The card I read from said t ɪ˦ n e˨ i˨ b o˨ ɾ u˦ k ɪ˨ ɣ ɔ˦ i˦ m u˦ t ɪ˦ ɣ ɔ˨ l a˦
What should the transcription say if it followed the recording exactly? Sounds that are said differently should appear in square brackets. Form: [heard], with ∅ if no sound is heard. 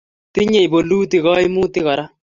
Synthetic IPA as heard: t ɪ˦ [ɲ] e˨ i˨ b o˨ [l] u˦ [t] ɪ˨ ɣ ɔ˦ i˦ m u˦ t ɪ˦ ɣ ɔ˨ [ɾ] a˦